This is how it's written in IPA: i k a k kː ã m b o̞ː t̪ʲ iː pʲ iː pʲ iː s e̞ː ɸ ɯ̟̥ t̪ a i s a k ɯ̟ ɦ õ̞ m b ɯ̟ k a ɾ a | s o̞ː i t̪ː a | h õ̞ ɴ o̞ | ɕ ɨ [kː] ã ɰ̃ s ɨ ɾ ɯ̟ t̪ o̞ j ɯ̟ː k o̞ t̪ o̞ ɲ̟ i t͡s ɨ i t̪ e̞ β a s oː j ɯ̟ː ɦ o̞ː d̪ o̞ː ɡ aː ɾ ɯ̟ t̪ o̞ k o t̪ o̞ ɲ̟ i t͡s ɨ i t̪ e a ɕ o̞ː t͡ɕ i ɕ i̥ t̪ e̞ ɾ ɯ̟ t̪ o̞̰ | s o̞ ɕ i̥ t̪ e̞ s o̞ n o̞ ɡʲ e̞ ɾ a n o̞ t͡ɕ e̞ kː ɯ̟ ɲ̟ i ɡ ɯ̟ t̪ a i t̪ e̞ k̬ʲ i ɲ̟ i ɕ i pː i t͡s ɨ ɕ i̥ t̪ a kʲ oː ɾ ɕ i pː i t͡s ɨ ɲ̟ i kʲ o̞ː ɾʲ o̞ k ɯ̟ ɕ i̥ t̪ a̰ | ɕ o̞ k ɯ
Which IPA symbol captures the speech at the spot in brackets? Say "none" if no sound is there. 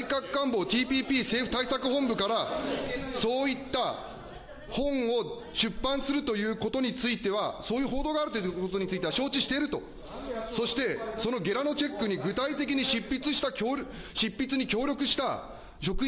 pː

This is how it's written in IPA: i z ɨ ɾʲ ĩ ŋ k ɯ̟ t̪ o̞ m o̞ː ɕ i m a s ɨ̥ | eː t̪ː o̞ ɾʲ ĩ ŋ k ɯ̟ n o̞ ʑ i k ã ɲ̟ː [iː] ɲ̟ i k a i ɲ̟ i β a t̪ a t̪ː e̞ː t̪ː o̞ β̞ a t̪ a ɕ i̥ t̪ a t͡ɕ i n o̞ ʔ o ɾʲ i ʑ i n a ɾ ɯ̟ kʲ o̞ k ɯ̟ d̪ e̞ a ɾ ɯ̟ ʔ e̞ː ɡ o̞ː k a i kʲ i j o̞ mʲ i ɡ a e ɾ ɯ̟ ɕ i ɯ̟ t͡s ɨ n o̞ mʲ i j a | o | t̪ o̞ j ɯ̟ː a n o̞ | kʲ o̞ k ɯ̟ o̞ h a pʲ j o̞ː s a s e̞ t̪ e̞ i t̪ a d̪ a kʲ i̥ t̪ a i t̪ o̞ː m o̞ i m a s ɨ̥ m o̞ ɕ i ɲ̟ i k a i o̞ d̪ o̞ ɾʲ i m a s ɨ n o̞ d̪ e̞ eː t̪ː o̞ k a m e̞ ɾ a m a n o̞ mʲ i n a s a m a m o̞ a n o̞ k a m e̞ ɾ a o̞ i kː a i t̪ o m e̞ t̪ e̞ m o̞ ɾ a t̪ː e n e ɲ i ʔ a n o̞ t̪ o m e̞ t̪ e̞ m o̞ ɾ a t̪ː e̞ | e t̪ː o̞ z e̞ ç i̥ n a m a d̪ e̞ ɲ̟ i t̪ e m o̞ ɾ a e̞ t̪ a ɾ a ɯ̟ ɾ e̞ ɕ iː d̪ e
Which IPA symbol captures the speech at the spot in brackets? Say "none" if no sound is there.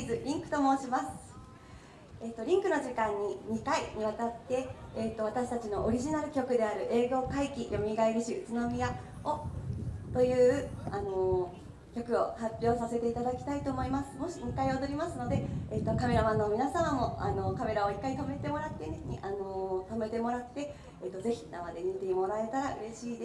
i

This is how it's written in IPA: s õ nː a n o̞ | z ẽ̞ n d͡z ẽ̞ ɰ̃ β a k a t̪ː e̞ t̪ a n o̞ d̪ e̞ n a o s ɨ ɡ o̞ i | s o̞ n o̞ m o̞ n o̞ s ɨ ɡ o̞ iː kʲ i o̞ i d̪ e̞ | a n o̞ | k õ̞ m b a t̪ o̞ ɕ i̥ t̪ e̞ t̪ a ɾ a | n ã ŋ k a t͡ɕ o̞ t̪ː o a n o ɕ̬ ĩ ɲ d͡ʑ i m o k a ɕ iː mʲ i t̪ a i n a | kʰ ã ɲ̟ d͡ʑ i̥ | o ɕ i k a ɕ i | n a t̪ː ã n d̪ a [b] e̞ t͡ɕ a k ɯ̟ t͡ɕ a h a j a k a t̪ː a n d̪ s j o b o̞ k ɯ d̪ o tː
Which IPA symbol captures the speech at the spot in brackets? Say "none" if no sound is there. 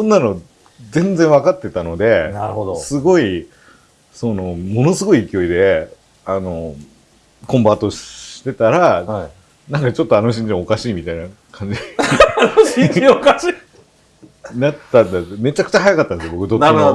m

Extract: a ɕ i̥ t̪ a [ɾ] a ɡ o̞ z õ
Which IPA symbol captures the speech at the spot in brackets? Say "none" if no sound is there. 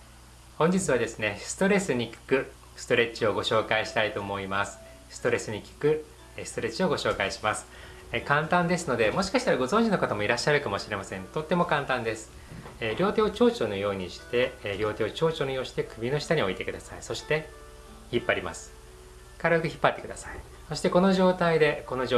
ɾ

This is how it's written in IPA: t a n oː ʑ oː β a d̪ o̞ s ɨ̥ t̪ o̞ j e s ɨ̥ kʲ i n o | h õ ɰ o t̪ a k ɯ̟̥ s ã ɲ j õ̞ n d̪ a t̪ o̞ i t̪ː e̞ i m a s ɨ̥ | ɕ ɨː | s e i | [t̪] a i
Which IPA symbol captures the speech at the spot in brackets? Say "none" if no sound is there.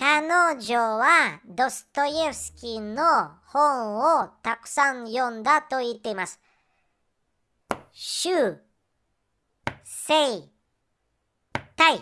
t̪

